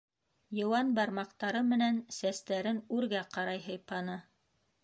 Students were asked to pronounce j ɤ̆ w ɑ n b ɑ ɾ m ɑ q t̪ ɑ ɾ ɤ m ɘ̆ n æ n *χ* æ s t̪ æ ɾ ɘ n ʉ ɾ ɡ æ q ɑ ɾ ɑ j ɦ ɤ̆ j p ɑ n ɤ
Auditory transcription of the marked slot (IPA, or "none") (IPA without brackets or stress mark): s